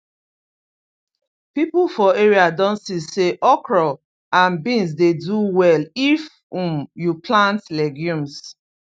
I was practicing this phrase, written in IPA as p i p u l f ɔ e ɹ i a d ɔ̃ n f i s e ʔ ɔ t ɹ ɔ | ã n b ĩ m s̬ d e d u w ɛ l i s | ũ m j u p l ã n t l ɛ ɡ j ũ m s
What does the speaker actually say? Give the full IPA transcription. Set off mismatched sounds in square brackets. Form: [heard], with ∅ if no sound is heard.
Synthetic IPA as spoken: p i p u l f ɔ e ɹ i a d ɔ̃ n [s] i s e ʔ ɔ [k] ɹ ɔ | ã n b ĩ [n] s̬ d e d u w ɛ l i [f] | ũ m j u p l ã n t l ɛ ɡ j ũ m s